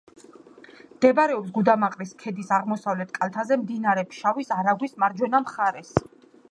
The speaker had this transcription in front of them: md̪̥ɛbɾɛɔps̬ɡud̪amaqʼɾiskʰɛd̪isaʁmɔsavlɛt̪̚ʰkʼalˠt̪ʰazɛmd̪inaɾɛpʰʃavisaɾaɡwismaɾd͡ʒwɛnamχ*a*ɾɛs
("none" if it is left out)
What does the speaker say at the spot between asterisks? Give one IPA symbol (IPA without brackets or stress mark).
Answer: a